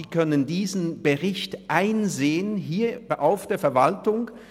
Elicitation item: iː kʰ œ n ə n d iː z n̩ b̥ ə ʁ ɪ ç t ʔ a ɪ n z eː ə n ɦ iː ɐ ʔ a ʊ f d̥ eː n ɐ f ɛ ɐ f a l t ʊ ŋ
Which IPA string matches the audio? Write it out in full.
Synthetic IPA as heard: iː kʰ œ n ə n d iː z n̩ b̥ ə ʁ ɪ ç t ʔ a ɪ n z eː ə n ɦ iː ɐ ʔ a ʊ f d̥ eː ɐ f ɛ ɐ v a l t ʊ ŋ